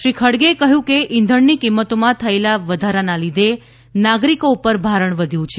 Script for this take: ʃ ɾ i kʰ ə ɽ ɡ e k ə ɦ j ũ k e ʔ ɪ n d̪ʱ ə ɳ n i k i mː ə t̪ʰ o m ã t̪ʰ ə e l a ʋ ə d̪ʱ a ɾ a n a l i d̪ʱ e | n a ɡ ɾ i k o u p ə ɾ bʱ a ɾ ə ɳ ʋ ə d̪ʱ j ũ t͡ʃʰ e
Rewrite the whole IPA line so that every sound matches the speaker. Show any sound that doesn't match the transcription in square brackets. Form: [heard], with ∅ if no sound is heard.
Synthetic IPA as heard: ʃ ɾ i kʰ ə ɽ ɡ e k ə ɦ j ũ k e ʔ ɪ n d̪ʱ ə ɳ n i k i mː ə [t̪] o m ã t̪ʰ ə e l a ʋ ə d̪ʱ a ɾ a n a l i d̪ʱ e | n a ɡ ɾ i k o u p ə ɾ bʱ a ɾ ə ɳ ʋ ə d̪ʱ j ũ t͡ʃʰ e